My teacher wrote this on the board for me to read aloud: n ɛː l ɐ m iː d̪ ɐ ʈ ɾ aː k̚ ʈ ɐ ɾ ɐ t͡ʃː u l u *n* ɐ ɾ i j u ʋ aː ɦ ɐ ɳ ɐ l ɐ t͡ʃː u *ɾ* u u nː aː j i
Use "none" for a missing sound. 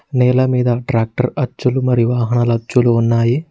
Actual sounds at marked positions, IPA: m, l

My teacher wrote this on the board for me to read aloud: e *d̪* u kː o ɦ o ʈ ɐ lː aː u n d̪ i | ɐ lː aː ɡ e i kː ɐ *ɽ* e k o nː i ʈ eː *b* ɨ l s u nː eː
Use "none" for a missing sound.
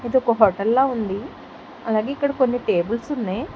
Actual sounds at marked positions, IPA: d̪, ɽ, b

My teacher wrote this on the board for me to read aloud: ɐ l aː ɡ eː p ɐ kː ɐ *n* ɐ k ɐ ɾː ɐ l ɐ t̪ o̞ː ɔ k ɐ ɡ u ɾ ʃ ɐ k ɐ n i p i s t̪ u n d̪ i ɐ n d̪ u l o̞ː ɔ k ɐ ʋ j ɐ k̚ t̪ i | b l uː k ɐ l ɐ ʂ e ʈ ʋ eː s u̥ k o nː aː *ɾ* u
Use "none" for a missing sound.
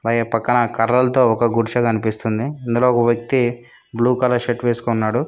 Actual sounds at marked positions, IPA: n, ɽ

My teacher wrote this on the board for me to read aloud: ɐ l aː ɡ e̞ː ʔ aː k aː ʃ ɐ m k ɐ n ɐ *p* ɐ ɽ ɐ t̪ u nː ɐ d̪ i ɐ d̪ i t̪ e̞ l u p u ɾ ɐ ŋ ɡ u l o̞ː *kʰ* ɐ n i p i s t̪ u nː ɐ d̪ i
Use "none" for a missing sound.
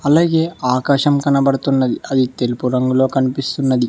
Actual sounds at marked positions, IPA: b, k

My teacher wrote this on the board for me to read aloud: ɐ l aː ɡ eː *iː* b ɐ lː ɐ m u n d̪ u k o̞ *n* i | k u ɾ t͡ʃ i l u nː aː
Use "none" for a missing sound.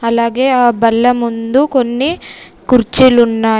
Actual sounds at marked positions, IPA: aː, nː

